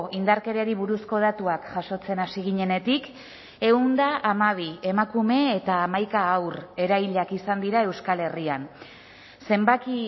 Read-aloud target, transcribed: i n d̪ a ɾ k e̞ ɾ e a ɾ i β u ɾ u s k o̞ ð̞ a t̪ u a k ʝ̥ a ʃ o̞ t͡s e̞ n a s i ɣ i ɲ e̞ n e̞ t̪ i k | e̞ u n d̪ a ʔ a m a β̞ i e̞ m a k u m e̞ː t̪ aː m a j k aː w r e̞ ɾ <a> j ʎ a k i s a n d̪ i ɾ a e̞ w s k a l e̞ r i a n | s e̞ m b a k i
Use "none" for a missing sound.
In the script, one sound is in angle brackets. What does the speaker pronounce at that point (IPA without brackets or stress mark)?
a